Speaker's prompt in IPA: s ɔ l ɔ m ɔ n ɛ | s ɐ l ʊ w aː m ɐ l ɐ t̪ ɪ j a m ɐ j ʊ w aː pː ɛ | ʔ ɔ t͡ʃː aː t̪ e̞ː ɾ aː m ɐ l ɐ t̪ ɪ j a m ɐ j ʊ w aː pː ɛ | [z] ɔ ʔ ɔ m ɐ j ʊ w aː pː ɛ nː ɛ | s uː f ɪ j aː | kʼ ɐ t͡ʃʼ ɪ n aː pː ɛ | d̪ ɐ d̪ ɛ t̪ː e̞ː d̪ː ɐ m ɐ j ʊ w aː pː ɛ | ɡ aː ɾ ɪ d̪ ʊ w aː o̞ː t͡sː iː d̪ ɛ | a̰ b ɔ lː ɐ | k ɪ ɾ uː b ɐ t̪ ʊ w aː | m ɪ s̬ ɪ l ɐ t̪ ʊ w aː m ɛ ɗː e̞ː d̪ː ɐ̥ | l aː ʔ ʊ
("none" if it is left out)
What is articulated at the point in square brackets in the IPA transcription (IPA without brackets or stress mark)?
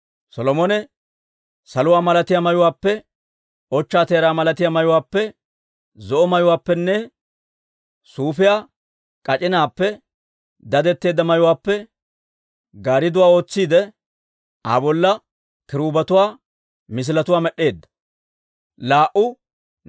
z